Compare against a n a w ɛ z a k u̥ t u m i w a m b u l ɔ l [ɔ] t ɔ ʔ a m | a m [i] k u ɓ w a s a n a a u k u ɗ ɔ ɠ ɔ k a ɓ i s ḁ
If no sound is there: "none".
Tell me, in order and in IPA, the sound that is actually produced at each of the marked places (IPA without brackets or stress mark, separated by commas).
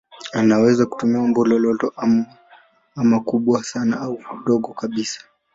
ɔ, a